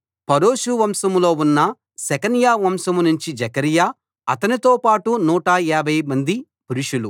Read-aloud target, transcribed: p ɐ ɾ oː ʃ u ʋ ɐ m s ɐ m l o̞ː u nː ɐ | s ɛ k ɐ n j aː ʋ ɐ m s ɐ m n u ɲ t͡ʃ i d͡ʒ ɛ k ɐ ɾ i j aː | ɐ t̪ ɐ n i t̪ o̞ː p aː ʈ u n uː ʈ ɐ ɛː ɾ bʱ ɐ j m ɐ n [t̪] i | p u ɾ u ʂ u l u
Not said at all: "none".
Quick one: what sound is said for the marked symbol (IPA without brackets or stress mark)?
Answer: d̪